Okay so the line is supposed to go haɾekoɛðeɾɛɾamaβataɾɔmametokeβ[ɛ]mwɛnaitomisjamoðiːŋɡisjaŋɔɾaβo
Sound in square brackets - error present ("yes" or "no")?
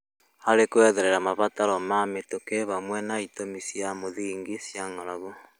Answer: yes